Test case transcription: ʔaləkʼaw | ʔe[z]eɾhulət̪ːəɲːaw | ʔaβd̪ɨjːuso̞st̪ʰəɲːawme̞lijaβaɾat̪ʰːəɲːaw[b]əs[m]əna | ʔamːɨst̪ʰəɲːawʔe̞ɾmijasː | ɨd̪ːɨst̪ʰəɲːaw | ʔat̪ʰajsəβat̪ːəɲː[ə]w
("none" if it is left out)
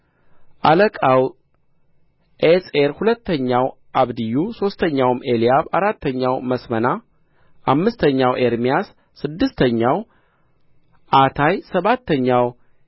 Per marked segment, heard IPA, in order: s, m, m, a

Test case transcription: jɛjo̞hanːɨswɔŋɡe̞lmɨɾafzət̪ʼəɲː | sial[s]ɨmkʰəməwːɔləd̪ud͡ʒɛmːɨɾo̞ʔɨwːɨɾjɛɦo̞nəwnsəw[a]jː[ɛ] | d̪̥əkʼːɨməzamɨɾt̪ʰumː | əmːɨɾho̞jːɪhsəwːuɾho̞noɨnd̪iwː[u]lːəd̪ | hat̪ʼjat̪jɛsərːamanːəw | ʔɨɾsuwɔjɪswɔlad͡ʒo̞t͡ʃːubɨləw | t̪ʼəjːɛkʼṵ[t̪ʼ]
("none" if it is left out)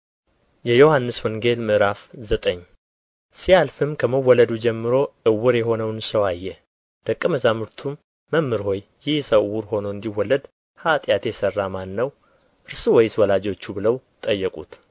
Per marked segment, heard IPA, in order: f, a, ɛ, ɔ, t̪

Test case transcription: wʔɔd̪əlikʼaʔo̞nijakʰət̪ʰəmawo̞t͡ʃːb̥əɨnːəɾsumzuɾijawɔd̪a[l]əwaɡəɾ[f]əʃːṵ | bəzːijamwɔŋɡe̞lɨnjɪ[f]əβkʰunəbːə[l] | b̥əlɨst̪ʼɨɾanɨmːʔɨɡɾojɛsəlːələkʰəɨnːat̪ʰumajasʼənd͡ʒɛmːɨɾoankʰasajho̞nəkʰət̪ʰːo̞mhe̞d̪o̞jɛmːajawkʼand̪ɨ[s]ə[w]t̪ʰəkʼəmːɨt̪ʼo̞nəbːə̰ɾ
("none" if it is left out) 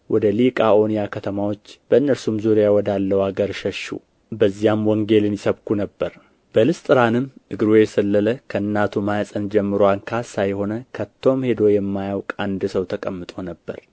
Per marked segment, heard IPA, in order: lː, ʃ, s, ɾ, s, w

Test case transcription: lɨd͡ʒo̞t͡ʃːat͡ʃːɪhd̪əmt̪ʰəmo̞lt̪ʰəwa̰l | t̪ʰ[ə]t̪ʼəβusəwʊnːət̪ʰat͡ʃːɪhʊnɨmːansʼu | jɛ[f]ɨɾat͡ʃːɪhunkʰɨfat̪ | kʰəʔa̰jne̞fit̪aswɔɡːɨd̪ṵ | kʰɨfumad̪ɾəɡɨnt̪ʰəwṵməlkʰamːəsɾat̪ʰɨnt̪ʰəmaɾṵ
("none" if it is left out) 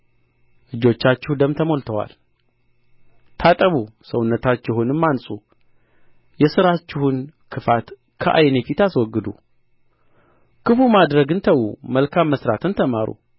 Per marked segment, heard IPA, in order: a, s

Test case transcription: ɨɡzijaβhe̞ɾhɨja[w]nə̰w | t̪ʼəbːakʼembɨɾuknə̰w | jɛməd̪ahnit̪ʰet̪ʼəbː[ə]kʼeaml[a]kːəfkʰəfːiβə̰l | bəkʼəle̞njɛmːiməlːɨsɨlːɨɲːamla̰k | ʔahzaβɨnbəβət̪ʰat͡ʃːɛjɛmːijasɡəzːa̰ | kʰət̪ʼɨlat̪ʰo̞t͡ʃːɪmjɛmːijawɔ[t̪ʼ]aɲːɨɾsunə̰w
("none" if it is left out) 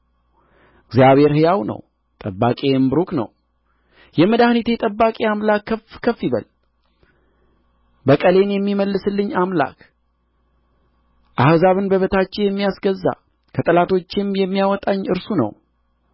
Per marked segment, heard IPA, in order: w, a, a, t̪ʼ

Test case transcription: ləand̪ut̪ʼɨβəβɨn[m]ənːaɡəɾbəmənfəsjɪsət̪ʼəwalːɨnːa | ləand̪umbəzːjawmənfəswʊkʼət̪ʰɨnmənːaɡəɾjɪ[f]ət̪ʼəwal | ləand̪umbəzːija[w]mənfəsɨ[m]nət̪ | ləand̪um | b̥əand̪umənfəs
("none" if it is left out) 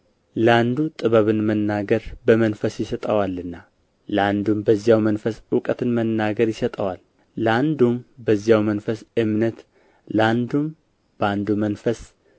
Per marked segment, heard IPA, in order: m, s, w, m

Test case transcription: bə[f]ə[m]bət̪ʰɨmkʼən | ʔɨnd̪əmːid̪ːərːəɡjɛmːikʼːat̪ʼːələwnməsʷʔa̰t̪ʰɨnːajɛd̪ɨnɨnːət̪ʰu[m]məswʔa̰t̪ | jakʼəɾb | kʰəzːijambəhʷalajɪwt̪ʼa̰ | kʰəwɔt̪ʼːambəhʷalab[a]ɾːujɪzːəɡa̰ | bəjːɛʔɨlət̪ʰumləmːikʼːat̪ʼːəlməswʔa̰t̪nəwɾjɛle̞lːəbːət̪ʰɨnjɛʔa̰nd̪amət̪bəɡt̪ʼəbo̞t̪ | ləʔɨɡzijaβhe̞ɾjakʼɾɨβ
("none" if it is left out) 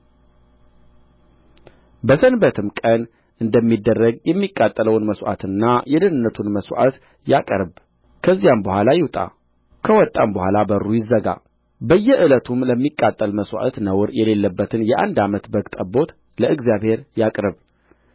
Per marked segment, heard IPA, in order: s, n, n, ə

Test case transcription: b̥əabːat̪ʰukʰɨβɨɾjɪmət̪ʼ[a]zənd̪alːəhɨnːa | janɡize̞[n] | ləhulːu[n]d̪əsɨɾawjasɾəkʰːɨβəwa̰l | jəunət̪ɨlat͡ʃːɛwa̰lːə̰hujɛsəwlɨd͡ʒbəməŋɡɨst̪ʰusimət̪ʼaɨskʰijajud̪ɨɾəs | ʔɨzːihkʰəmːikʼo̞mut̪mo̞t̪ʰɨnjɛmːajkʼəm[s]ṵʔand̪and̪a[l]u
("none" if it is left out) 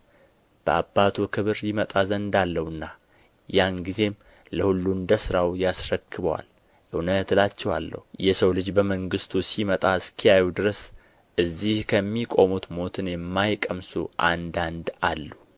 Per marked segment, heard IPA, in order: a, m, n, s, lː

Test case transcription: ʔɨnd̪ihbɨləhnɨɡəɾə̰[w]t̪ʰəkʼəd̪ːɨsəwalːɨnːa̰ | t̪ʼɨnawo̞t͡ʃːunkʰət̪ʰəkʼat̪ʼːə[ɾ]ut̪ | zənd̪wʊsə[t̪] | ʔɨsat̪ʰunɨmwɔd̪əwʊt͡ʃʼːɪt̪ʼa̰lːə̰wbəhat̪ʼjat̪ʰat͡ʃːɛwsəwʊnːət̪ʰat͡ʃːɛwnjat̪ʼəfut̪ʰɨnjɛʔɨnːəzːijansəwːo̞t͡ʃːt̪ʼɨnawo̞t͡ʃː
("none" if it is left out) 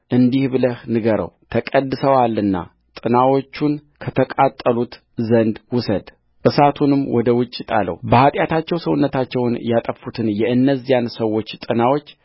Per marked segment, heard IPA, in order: w, l, d̪

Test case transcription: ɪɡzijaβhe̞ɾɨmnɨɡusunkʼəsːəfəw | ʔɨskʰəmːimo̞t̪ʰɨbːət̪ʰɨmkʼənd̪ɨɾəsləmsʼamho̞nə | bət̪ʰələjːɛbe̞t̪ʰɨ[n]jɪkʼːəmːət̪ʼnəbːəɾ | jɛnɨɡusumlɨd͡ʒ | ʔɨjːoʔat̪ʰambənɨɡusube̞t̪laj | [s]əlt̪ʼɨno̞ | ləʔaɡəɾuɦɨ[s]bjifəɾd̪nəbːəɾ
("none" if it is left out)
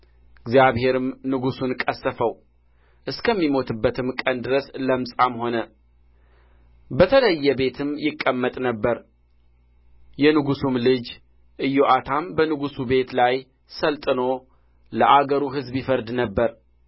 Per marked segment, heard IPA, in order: m, s, z

